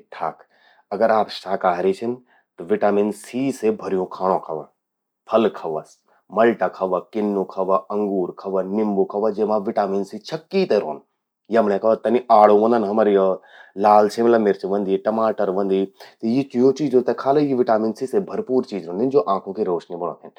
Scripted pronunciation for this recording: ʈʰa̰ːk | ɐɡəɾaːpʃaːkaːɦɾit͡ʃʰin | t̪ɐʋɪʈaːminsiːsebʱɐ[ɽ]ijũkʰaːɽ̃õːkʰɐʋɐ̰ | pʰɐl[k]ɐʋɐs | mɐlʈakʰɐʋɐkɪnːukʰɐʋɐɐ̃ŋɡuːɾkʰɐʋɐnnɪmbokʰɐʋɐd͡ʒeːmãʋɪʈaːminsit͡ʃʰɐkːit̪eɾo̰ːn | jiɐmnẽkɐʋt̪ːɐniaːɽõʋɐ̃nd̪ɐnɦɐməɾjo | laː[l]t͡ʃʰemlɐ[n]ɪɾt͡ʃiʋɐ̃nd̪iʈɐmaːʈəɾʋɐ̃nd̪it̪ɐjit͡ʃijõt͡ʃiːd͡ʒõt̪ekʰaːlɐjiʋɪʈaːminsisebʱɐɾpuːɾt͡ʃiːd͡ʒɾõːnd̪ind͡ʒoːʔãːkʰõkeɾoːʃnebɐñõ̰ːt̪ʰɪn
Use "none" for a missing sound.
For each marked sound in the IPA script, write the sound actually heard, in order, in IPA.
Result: ɾ, kʰ, l, m

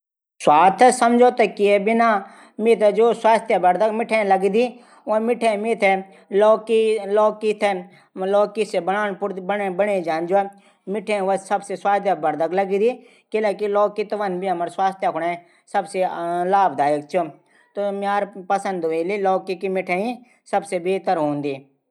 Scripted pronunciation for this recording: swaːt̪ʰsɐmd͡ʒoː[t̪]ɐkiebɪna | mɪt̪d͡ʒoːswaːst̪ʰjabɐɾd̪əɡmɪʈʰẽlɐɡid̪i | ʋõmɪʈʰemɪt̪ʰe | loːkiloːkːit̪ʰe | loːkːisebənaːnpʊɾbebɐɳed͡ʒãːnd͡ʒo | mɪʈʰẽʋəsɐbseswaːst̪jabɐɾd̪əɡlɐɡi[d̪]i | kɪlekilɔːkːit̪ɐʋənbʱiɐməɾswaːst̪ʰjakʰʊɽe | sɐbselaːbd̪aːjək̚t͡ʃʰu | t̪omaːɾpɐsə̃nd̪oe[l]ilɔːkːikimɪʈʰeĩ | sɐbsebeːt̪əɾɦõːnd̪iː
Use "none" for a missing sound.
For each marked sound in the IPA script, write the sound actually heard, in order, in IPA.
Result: t̪, d̪, l

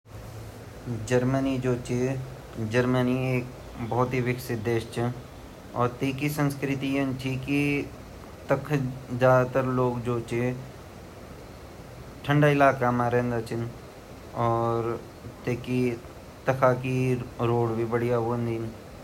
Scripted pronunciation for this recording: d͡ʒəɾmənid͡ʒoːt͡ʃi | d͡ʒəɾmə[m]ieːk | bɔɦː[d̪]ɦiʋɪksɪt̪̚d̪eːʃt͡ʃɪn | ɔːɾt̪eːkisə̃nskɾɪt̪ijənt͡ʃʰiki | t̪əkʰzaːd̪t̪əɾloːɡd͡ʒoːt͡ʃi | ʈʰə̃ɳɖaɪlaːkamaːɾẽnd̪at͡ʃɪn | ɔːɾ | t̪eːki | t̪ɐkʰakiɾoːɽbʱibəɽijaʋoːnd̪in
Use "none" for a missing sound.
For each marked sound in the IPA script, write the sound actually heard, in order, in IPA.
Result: n, t̪

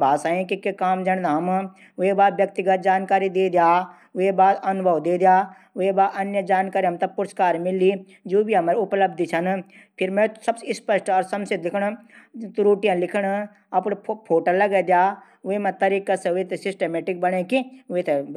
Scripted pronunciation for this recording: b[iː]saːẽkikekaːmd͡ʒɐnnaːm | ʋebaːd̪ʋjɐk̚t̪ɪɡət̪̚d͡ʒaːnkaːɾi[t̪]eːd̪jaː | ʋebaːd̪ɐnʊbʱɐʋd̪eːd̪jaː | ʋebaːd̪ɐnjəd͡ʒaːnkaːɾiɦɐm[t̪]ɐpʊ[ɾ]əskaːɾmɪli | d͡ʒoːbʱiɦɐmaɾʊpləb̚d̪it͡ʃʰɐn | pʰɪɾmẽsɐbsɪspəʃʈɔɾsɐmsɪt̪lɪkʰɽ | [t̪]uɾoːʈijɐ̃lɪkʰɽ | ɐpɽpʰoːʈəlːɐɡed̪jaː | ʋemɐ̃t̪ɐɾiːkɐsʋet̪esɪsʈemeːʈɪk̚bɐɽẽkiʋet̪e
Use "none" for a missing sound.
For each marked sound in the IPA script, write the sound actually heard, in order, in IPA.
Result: aː, d̪, t̪, ɾ, t̪

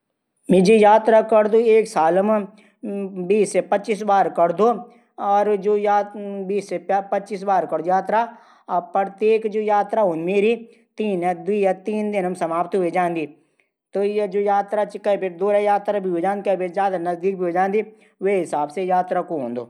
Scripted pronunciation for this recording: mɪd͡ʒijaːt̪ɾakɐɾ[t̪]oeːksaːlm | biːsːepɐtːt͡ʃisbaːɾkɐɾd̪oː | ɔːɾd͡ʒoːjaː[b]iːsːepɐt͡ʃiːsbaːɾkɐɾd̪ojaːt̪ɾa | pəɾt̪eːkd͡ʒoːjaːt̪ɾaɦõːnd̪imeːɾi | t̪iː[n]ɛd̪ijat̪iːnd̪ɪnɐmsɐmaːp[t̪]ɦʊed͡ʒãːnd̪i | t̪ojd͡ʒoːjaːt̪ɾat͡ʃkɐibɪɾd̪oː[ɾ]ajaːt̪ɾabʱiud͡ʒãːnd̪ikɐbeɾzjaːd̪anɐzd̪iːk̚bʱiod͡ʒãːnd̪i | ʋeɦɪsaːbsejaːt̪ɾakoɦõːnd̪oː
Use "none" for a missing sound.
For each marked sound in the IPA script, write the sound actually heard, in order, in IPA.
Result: d̪, b, n, t̪, ɾ

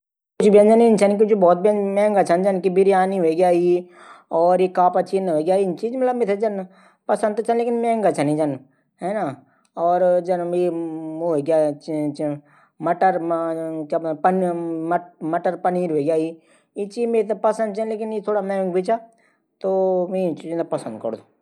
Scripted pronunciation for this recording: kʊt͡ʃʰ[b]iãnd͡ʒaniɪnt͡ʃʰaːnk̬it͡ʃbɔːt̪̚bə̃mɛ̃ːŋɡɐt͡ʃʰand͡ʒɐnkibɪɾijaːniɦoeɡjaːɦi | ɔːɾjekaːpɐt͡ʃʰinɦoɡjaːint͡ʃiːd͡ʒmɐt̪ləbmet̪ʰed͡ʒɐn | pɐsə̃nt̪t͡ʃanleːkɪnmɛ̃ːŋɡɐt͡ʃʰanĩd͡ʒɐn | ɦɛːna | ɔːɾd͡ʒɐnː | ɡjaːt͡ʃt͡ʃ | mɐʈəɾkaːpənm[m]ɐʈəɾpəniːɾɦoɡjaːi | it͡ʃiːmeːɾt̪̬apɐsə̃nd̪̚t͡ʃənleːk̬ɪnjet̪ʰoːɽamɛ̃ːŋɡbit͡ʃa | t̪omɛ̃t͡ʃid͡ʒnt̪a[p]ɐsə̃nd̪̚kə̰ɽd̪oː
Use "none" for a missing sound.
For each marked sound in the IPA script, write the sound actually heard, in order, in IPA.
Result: b, m, p

